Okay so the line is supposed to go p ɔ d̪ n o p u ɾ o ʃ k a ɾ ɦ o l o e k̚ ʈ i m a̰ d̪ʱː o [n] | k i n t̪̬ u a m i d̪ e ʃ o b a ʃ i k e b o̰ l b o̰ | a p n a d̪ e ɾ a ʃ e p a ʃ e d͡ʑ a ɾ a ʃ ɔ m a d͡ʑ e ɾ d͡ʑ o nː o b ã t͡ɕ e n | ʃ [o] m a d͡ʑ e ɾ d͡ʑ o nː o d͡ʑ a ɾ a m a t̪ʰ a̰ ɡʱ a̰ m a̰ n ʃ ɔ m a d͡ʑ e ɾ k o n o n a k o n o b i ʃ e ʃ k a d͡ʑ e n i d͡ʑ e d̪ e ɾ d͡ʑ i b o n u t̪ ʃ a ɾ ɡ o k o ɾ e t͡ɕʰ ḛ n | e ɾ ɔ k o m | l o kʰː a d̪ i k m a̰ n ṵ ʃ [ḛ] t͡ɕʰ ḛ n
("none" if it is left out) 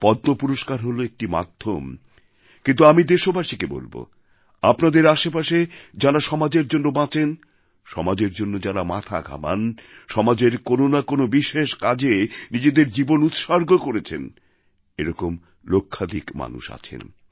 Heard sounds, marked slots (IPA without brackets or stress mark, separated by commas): m, ɔ, a̰